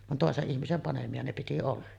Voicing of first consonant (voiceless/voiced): voiced